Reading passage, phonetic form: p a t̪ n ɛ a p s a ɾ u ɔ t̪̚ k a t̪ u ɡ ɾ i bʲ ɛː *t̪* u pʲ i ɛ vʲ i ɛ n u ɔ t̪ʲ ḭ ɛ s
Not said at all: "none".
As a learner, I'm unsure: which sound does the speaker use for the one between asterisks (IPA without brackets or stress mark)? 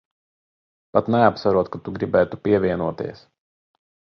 t̪